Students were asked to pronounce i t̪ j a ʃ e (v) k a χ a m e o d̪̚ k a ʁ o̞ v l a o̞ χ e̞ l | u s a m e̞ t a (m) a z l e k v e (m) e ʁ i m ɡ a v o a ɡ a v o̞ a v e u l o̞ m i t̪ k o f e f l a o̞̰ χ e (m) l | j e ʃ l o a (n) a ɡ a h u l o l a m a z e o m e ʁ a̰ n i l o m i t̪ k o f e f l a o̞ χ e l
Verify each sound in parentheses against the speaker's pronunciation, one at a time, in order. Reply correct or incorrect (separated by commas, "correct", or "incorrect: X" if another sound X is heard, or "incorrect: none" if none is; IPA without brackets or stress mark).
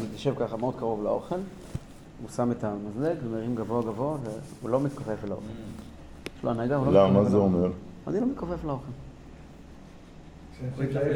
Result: correct, correct, correct, incorrect: none, correct